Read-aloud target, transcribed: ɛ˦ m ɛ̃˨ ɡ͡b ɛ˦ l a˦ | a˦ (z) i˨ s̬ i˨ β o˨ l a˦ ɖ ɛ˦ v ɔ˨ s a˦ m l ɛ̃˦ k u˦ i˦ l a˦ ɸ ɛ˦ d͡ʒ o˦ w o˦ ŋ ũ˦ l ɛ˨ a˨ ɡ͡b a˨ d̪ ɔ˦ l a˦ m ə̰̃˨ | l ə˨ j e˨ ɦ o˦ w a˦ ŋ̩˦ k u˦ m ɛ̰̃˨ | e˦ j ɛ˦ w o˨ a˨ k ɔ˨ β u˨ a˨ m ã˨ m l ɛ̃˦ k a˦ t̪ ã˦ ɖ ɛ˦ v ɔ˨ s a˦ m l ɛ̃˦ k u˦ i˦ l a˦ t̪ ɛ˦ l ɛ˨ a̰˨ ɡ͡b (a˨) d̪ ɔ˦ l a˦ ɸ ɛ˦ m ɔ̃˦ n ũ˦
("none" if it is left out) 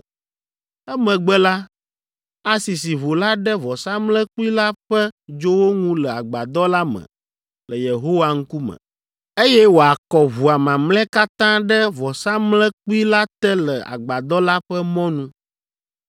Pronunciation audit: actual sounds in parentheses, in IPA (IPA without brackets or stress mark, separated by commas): s, a˨